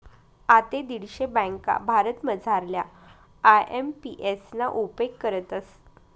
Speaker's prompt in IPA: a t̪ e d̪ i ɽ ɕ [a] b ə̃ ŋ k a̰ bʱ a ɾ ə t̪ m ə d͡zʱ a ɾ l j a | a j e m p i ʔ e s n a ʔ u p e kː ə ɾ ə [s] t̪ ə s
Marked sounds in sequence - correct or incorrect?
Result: incorrect: e, incorrect: none

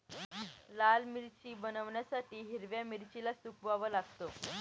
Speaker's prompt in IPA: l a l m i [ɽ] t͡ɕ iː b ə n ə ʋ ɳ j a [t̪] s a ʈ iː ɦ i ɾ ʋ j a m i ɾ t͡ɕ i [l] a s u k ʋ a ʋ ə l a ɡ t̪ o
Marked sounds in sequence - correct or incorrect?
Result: incorrect: ɾ, incorrect: none, correct

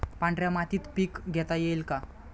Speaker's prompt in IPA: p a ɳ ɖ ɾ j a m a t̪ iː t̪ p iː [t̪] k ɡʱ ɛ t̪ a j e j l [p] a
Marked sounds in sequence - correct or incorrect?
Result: incorrect: none, incorrect: k

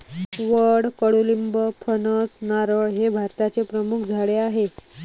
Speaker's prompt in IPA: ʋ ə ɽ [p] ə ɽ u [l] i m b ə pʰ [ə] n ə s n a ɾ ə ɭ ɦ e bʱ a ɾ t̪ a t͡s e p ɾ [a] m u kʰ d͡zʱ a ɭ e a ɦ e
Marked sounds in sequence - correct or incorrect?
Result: incorrect: k, correct, correct, incorrect: ə

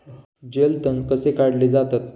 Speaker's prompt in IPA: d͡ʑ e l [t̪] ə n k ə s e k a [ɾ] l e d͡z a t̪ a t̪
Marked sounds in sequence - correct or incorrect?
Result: correct, incorrect: ɽ

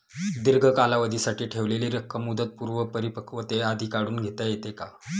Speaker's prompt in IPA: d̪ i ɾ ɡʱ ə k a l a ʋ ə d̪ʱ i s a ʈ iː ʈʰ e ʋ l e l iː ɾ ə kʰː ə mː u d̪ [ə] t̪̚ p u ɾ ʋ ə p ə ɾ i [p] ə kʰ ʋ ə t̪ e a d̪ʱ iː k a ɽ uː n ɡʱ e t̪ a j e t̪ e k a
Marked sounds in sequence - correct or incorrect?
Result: correct, correct

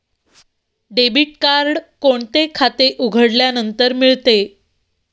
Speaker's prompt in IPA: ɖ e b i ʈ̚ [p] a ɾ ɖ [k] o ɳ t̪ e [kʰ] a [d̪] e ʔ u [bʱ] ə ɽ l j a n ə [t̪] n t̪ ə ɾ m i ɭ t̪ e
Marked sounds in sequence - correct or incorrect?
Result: incorrect: k, correct, correct, incorrect: t̪, incorrect: ɡʱ, incorrect: none

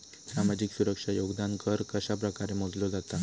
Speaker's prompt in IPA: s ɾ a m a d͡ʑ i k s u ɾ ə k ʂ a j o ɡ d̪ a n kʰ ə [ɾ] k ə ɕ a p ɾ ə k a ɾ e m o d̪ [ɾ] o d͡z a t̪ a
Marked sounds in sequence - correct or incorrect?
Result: correct, incorrect: l

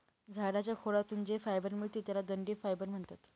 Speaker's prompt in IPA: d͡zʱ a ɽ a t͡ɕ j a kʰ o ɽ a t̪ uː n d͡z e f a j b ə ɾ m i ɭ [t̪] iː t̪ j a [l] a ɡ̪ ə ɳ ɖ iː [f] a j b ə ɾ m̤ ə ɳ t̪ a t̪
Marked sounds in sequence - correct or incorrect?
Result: correct, correct, correct

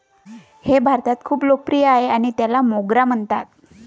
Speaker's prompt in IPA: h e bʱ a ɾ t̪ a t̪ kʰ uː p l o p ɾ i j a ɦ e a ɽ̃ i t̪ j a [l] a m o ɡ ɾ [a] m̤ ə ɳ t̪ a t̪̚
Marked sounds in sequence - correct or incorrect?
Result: correct, correct

